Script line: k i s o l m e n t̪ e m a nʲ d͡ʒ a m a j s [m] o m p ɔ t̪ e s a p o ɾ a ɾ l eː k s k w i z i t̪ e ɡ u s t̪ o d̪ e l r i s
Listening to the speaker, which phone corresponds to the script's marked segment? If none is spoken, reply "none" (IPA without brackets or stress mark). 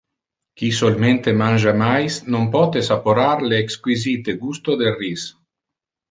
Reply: n